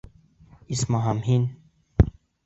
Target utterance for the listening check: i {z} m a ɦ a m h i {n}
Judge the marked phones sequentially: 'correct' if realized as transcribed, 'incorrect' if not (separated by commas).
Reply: incorrect, correct